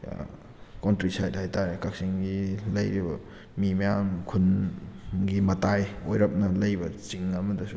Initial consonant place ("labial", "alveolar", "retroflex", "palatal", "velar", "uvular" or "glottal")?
velar